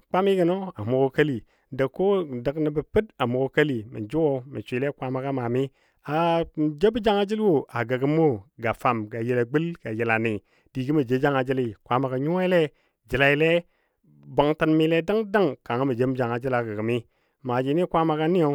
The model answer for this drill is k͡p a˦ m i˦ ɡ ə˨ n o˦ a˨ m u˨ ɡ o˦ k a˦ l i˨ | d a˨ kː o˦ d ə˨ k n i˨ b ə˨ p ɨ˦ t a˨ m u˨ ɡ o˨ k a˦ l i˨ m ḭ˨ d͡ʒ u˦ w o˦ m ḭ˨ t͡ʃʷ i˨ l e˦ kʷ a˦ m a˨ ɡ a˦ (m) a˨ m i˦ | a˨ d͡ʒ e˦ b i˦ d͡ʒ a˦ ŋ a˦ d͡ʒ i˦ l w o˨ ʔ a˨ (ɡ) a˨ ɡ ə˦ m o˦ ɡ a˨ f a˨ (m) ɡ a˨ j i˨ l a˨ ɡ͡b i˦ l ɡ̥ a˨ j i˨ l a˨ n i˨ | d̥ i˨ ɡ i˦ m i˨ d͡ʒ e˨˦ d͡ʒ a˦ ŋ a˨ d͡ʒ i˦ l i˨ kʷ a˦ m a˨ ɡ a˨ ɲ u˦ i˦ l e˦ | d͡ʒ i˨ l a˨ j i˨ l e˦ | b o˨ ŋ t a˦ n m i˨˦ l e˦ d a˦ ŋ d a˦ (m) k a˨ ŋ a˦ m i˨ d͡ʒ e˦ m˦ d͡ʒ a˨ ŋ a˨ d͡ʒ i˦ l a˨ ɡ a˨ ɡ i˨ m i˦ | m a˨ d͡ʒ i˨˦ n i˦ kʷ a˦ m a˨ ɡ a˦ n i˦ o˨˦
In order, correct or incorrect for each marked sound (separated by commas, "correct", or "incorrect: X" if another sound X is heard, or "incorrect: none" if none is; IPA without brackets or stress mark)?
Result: correct, correct, correct, incorrect: ŋ